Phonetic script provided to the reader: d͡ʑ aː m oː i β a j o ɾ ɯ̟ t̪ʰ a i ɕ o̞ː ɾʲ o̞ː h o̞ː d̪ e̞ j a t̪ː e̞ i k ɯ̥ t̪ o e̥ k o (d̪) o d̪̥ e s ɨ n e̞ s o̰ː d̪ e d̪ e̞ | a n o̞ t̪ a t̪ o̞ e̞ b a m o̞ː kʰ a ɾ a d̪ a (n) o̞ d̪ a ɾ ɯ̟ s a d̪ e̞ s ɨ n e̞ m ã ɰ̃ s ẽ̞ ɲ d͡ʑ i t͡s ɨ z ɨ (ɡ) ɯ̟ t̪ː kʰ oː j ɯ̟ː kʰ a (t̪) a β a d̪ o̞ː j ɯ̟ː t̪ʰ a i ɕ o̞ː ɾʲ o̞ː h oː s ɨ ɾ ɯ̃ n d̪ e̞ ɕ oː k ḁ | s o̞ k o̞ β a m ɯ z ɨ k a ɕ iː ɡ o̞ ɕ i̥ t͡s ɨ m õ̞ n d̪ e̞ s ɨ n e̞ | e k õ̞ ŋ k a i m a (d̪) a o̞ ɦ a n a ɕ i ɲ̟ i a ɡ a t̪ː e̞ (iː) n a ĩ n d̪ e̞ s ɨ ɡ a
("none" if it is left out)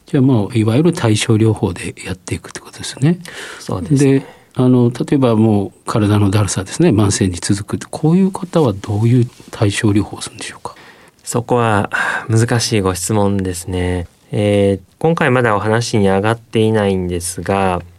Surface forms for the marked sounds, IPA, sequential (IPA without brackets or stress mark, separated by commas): t̪, n, k, t̪, d̪, i